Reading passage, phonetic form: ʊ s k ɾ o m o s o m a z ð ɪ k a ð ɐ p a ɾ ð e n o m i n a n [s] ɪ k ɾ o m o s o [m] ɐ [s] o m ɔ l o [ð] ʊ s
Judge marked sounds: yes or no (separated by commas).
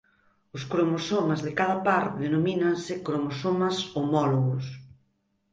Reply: yes, yes, yes, no